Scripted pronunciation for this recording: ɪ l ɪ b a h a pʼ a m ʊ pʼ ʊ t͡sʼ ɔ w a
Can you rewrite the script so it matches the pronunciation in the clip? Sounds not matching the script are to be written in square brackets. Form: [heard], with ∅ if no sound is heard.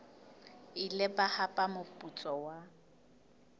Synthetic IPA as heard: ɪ l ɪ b a h a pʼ a m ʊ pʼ [u] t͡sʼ ɔ w a